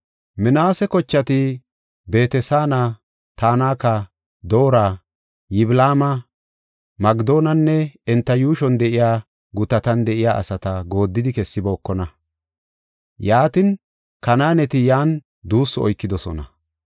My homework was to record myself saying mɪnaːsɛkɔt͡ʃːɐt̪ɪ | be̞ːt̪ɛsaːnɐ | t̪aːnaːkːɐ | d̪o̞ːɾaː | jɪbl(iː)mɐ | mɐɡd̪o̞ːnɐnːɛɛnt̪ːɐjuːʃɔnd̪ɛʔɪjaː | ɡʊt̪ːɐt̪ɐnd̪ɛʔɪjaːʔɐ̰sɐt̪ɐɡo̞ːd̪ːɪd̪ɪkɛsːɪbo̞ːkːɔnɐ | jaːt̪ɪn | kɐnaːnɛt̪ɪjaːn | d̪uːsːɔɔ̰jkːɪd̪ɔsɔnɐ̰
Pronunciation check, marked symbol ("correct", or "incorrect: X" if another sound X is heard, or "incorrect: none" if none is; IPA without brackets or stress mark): incorrect: aː